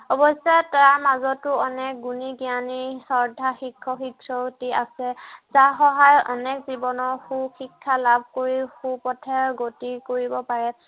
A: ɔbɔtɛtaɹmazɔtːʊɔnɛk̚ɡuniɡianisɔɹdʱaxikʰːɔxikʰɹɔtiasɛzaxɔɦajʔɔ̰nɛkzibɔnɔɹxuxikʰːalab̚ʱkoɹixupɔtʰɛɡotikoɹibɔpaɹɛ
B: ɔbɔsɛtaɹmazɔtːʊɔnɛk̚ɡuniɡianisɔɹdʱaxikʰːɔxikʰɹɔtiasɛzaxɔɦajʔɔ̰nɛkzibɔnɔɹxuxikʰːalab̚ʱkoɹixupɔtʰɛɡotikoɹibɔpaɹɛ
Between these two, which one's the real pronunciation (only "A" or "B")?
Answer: B